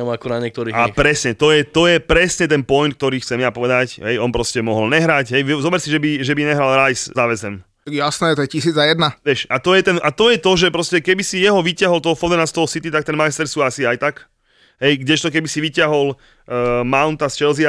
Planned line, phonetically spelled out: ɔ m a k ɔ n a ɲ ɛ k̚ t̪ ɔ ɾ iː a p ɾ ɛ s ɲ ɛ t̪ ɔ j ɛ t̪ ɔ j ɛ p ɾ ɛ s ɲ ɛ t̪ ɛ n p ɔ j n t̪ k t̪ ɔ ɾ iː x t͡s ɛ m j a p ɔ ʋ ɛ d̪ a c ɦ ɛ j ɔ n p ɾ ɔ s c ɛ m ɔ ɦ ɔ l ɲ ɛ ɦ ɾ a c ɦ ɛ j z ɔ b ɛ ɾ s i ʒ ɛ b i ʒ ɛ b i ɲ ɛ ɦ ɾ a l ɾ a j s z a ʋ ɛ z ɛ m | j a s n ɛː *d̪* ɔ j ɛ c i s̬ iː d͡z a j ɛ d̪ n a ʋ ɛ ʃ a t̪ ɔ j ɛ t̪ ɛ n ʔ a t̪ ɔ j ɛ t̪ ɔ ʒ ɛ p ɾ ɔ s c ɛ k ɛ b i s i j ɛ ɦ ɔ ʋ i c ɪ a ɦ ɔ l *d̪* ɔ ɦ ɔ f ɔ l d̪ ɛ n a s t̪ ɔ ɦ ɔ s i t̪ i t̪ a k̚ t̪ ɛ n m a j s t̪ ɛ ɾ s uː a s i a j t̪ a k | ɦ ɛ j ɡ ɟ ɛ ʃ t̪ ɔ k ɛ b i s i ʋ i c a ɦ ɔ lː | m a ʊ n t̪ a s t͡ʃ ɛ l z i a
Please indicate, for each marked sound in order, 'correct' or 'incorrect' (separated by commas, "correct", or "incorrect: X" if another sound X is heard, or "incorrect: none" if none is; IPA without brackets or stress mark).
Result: incorrect: t̪, incorrect: t̪